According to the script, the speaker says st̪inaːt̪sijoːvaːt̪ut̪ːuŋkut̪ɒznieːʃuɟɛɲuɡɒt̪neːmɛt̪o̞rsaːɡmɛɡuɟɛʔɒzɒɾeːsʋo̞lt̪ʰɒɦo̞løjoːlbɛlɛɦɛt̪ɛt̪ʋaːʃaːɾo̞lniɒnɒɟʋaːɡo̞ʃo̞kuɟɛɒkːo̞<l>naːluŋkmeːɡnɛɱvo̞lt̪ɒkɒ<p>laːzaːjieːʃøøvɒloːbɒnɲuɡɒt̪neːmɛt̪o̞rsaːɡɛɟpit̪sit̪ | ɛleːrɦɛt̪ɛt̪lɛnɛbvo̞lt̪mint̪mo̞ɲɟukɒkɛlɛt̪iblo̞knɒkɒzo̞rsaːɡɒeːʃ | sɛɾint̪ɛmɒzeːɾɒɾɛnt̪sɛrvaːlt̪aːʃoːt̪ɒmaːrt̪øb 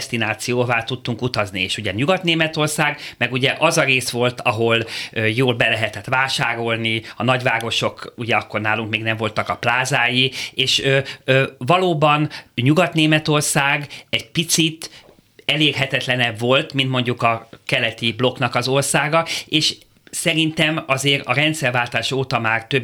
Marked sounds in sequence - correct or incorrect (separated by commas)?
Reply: incorrect, correct